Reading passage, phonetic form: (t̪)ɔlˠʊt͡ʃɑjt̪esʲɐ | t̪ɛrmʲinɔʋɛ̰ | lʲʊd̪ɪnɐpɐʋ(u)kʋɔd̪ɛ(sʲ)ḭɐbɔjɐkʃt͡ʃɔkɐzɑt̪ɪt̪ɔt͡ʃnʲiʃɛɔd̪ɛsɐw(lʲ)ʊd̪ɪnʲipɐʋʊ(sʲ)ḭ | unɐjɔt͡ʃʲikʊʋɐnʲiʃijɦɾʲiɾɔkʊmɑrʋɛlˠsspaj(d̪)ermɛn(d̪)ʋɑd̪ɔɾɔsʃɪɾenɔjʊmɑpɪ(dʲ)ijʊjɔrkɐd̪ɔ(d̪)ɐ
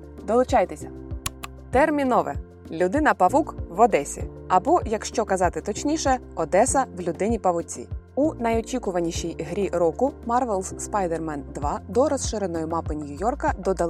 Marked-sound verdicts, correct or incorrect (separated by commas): incorrect, correct, correct, correct, incorrect, correct, correct, incorrect, correct